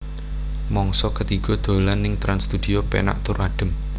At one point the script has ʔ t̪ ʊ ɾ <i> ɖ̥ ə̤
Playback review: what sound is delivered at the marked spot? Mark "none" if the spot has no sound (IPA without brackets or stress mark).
a